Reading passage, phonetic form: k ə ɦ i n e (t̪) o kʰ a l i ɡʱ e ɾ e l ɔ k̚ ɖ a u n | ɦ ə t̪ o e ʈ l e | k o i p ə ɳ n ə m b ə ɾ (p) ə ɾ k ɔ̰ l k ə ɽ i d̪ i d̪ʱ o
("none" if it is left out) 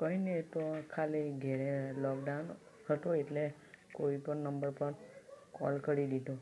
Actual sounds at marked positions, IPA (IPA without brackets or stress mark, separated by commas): t̪, p